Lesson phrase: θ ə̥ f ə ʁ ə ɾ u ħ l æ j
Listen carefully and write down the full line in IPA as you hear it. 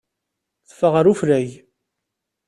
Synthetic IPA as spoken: θ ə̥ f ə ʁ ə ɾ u f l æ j